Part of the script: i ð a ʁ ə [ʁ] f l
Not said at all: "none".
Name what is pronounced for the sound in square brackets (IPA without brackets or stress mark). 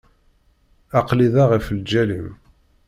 none